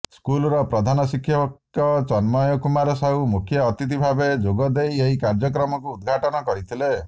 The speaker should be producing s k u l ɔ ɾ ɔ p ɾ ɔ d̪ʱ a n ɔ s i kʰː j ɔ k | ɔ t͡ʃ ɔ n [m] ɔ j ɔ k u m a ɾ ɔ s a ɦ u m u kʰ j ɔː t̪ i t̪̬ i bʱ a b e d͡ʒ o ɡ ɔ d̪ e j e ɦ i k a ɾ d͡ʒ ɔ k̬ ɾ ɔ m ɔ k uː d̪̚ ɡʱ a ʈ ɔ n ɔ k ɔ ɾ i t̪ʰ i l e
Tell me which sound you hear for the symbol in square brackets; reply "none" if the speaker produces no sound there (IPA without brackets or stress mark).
m